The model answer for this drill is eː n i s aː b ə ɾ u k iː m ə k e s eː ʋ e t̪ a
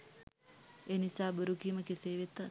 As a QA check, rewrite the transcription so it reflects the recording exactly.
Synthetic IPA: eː n i s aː b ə ɾ u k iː m ə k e s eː ʋ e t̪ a